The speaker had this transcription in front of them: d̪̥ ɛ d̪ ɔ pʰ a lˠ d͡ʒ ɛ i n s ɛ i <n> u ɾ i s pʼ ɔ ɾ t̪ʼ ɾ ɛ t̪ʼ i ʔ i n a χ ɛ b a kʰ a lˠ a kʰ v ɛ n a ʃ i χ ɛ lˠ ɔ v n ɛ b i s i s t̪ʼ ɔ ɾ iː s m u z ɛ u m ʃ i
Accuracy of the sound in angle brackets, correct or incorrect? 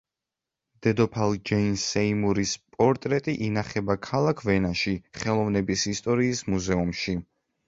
incorrect